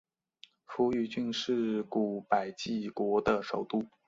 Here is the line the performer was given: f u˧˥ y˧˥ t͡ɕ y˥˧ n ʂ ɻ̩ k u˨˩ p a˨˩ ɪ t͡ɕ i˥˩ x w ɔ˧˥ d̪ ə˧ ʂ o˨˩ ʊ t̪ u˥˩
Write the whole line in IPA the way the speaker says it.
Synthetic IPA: f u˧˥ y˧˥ t͡ɕ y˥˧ n ʂ ɻ̩ k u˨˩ p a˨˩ ɪ t͡ɕ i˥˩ k w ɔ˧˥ d̪ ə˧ ʂ o˨˩ ʊ t̪ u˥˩